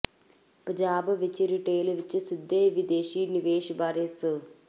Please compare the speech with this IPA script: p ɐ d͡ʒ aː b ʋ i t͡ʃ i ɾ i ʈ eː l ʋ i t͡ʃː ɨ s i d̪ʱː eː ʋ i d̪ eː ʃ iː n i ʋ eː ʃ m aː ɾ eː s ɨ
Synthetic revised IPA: p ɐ d͡ʒ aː b ʋ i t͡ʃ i ɾ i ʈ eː l ʋ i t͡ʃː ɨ s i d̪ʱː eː ʋ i d̪ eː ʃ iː n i ʋ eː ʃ b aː ɾ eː s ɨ